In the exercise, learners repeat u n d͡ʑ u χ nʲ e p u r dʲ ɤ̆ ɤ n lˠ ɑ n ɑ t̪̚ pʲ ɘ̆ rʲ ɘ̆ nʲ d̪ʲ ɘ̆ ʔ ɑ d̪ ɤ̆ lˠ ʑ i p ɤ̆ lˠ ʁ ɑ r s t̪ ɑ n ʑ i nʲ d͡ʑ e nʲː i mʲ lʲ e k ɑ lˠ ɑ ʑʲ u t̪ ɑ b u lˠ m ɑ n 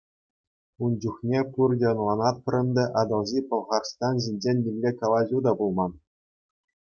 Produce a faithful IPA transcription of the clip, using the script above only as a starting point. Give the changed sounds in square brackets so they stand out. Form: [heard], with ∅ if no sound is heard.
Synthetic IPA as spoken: u n d͡ʑ u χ nʲ e p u r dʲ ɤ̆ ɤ n lˠ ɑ n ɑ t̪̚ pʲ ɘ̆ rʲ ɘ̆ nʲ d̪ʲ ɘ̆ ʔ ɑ d̪ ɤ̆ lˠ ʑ i p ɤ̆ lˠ ʁ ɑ r s t̪ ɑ n ʑ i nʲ d͡ʑ e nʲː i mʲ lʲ e k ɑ lˠ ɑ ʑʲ u [d̪] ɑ b u lˠ m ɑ n